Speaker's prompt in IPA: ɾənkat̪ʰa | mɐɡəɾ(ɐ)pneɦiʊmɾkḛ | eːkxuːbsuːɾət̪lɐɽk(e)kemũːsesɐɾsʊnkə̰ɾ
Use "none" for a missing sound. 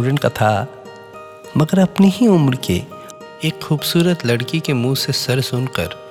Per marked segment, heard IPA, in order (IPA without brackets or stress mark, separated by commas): ɐ, i